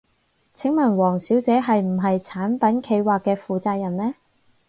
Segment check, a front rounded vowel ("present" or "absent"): absent